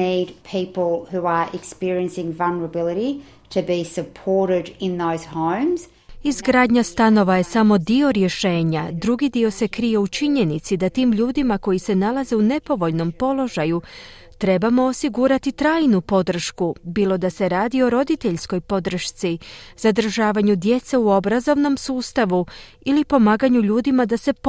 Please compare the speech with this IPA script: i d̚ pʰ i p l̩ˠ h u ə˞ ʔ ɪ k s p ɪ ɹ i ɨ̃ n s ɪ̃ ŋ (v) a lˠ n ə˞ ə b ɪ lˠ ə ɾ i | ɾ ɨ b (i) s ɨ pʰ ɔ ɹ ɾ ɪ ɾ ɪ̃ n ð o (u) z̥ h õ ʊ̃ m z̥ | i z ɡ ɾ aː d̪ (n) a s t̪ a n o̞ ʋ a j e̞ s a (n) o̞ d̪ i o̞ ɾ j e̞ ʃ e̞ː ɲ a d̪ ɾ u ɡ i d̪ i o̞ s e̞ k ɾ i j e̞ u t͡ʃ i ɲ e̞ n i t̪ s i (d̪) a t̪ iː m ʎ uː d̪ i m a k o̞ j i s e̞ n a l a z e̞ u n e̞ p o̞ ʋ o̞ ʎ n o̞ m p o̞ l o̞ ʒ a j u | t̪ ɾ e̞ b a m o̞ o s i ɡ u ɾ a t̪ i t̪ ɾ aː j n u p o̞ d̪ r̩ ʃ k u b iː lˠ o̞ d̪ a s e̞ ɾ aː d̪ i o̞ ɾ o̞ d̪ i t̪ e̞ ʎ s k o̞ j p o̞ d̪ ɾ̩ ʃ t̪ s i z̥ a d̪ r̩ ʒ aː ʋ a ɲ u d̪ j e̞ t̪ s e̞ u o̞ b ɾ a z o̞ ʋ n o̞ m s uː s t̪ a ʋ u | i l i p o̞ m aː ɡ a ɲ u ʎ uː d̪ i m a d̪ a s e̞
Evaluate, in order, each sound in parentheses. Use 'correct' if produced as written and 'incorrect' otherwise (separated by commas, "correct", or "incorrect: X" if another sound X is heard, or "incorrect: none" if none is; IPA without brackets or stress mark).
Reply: correct, correct, incorrect: ʊ, incorrect: ɲ, incorrect: m, correct